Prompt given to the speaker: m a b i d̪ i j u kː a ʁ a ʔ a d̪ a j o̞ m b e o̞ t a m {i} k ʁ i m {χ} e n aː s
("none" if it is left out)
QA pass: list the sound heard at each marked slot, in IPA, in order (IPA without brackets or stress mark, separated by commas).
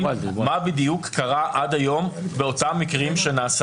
i, ʃ